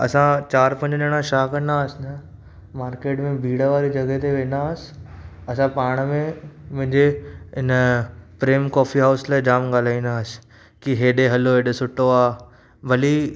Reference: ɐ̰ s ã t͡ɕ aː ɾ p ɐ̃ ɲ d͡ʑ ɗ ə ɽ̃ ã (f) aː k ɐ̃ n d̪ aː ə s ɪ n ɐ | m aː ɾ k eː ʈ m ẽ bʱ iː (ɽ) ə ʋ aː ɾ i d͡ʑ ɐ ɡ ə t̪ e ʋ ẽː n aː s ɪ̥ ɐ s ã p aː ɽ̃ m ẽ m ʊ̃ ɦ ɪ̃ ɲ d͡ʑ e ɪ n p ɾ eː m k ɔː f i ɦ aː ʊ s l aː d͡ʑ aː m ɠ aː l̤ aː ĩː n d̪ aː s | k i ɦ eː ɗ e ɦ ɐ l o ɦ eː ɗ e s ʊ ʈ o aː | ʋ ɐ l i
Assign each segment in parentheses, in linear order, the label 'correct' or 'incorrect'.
incorrect, correct

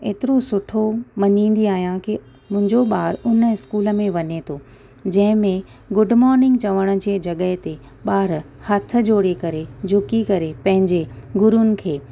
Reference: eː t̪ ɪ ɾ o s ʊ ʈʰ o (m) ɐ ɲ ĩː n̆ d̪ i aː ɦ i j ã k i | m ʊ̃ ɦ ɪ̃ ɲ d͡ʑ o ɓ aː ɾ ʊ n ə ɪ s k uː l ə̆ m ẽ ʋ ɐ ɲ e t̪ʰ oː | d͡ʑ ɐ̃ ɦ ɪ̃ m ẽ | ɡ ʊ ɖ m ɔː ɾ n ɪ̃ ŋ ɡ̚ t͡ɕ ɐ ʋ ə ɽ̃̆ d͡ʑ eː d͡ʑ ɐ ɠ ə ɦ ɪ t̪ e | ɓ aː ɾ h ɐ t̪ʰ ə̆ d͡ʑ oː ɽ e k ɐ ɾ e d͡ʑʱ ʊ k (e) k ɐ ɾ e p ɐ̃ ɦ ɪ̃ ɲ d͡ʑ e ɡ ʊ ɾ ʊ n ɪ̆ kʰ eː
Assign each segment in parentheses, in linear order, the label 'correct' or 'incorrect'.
correct, incorrect

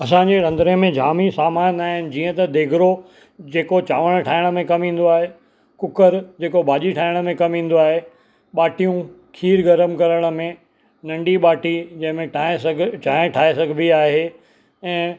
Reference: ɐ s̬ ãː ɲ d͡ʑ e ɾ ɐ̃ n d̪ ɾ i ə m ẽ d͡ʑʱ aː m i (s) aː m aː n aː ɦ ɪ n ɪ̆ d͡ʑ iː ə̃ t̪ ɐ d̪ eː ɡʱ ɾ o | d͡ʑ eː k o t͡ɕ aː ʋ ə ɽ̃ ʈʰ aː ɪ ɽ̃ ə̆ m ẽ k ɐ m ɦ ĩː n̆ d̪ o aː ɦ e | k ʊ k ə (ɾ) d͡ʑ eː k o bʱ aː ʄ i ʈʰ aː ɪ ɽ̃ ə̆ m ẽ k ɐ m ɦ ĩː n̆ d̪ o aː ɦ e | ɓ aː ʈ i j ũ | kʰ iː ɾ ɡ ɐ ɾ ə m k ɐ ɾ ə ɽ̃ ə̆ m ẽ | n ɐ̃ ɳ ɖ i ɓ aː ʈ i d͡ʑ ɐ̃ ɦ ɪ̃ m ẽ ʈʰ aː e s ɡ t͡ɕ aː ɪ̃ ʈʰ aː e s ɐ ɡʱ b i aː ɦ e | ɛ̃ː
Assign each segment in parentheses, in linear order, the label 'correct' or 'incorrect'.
correct, correct

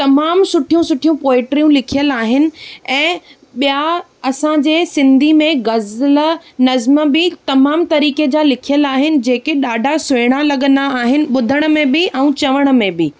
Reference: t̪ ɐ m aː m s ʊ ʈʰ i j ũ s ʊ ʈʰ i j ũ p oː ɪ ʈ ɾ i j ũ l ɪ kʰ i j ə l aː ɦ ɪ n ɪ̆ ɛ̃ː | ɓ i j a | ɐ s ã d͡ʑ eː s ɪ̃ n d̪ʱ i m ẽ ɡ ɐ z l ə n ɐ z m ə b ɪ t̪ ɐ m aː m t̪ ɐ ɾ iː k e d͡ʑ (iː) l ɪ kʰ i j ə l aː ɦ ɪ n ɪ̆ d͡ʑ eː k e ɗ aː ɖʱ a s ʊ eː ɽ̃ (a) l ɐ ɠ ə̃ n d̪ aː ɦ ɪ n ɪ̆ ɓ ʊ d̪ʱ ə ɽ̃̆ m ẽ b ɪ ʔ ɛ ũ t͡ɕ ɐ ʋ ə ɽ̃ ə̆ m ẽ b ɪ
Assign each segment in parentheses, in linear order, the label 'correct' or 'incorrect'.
incorrect, correct

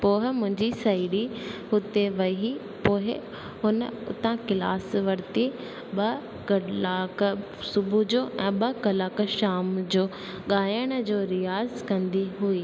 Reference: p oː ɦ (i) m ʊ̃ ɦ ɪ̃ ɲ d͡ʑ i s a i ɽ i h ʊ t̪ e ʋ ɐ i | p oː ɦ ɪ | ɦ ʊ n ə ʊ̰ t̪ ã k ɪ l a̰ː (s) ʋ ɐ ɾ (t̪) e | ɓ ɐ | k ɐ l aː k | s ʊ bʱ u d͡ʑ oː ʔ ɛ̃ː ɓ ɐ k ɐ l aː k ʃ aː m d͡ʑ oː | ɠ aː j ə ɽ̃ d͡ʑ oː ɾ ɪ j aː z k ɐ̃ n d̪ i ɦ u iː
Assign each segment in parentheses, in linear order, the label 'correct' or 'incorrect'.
incorrect, correct, correct

